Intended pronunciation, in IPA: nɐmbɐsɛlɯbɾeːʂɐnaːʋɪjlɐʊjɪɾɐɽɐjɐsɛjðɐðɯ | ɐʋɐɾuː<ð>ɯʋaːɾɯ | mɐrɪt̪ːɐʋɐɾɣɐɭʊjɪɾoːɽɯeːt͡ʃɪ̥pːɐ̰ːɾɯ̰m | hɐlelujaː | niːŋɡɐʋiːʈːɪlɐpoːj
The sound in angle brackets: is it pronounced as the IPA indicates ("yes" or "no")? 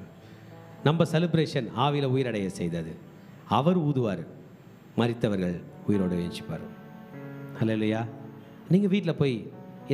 yes